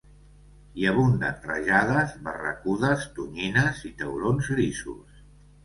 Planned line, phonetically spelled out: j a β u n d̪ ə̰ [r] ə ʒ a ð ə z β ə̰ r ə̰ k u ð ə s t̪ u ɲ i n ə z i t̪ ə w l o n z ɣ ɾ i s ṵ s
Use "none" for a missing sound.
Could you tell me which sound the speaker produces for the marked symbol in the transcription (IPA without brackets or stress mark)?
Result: r